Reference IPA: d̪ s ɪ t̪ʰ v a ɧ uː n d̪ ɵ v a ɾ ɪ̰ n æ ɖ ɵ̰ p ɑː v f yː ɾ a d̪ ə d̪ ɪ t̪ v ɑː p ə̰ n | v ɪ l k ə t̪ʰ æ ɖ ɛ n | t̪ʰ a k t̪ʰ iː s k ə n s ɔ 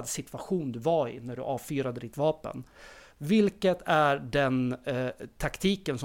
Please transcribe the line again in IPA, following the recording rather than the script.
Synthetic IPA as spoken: d̪ s ɪ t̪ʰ v a ɧ uː n d̪ ɵ v a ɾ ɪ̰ n æ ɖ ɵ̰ ʔ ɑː v f yː ɾ a d̪ ə d̪ ɪ t̪ v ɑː p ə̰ n | v ɪ l k ə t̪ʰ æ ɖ ɛ n | t̪ʰ a k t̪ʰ iː k ə n s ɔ